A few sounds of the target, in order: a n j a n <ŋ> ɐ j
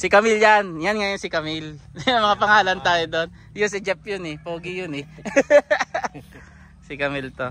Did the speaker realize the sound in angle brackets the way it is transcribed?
yes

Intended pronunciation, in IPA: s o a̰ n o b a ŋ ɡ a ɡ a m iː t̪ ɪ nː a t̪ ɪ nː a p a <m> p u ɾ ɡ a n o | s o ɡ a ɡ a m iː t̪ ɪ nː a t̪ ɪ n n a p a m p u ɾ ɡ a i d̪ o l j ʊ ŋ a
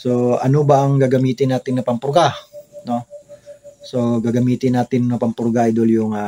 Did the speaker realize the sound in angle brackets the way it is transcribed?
yes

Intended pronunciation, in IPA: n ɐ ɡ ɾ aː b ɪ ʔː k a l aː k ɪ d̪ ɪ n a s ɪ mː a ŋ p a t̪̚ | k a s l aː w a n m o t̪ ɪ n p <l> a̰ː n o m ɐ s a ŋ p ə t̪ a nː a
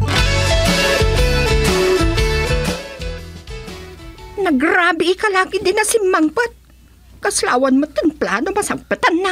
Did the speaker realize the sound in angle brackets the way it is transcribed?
yes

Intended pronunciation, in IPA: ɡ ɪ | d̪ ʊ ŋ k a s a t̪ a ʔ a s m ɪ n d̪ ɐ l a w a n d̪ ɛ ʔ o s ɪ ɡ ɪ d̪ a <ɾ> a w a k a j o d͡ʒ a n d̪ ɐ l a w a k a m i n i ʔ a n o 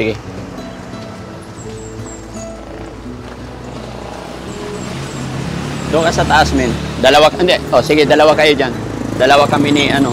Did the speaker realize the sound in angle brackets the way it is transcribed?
no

